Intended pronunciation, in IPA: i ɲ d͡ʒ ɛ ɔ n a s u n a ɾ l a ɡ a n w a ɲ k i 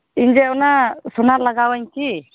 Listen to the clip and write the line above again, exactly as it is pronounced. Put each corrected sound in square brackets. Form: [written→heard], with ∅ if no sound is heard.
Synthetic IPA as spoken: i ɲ d͡ʒ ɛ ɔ n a s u n a ɾ l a ɡ a [n→∅] w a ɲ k i